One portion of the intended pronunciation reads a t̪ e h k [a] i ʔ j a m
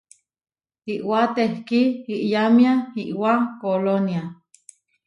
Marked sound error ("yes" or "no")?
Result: yes